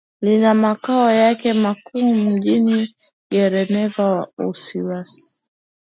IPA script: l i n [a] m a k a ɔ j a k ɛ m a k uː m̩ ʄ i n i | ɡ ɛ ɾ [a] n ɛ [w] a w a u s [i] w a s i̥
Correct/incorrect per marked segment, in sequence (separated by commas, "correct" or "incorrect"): correct, incorrect, incorrect, correct